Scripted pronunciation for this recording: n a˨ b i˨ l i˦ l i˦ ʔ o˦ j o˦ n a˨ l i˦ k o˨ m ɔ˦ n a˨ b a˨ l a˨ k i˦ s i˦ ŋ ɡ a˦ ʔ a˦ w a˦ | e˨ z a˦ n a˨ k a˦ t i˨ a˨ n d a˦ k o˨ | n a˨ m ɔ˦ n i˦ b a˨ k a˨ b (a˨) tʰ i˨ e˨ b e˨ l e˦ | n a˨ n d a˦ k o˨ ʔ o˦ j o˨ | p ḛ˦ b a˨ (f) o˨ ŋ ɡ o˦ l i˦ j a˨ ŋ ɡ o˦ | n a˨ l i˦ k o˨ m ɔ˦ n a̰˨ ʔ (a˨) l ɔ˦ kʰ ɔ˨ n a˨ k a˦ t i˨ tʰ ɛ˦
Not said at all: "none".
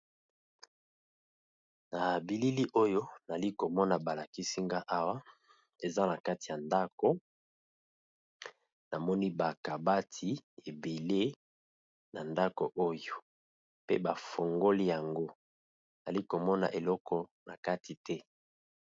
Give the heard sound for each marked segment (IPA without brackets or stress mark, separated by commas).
a˦, f, e˨